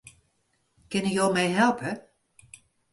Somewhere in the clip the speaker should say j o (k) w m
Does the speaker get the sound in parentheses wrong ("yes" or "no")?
yes